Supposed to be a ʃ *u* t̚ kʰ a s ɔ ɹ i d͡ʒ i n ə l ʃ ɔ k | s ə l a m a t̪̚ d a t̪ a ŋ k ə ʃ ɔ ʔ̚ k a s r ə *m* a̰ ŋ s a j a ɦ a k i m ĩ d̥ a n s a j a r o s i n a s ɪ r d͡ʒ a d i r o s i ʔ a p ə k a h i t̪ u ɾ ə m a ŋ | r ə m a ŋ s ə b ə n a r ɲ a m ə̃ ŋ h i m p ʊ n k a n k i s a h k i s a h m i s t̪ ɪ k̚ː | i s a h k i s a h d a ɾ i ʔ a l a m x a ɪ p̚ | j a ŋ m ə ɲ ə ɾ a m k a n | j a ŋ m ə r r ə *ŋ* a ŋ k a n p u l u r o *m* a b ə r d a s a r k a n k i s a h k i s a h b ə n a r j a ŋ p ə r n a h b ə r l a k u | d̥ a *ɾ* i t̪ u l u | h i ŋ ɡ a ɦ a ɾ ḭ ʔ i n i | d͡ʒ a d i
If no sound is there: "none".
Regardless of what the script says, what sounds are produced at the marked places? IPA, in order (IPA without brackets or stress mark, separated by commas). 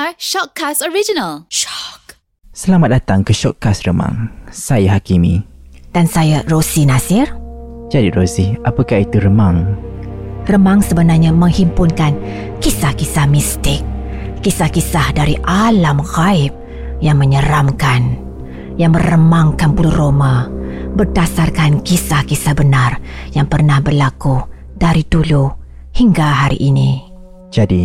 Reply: ɔ, m, m, m, ɾ